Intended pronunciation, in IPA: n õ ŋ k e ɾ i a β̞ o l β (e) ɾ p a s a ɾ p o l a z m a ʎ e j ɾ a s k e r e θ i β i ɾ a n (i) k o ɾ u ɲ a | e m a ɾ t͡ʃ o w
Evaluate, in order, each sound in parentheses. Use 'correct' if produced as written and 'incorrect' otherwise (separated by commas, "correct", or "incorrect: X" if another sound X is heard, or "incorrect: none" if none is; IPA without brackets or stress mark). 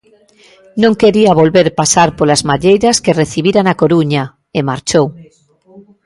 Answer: correct, incorrect: a